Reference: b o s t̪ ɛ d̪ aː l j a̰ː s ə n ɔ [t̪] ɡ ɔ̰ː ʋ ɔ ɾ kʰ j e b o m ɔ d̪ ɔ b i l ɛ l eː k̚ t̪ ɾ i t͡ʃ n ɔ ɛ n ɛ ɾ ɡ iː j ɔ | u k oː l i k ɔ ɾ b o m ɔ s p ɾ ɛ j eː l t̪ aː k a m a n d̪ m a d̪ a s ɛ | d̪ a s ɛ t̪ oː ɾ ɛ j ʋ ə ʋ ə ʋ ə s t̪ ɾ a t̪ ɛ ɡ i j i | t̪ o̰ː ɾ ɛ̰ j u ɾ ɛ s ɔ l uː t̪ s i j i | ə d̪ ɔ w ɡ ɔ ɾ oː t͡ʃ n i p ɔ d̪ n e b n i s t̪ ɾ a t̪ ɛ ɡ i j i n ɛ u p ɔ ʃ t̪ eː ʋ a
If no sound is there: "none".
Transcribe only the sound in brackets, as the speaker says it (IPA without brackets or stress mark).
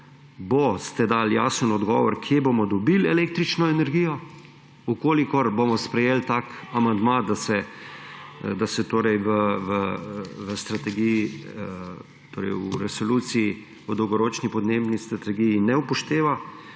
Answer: d̪